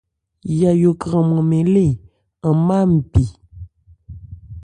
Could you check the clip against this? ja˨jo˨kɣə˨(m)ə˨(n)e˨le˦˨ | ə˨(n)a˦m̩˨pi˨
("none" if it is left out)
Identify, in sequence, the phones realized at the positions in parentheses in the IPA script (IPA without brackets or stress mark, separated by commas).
m, m, m